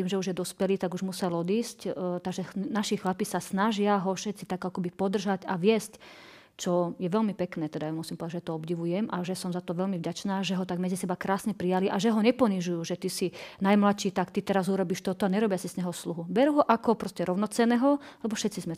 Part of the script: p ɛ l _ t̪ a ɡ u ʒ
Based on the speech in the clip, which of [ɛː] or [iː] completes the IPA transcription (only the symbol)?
iː